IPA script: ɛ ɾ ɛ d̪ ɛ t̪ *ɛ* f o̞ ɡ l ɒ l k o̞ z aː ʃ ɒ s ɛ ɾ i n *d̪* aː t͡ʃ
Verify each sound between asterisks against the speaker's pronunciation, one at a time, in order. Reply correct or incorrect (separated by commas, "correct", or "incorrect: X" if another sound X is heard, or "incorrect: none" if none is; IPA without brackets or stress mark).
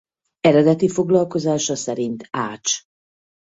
incorrect: i, incorrect: t̪